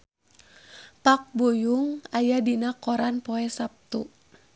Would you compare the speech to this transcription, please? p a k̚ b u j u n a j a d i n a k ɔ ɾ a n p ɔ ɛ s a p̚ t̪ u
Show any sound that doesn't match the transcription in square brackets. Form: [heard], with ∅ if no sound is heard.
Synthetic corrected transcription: p a k̚ b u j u [ŋ] a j a d i n a k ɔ ɾ a n p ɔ ɛ s a p̚ t̪ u